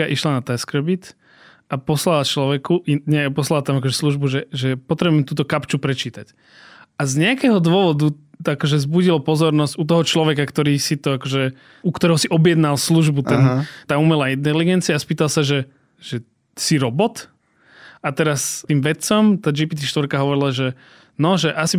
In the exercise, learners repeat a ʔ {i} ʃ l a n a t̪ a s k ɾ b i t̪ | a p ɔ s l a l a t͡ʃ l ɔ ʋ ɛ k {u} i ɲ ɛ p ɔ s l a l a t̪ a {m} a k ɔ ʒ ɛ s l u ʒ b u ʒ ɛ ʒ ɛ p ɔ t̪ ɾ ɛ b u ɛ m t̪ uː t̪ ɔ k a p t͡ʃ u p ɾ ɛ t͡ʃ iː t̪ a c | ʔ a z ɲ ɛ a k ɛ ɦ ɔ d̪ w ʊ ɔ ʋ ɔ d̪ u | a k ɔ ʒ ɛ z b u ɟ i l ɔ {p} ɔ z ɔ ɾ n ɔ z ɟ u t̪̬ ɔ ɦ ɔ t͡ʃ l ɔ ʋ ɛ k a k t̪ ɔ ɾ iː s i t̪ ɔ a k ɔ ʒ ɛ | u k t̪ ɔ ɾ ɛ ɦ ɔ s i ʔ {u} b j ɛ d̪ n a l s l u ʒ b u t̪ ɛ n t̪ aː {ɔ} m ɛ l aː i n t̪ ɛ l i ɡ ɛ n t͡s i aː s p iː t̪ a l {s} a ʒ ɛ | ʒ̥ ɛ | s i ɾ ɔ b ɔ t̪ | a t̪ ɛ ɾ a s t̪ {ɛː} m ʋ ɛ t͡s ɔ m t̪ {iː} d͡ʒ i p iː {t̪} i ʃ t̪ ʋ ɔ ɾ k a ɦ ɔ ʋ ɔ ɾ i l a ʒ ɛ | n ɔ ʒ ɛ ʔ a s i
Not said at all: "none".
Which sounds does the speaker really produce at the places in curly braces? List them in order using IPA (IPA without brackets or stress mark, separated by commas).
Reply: i, u, m, p, ɔ, u, s, iː, aː, t̪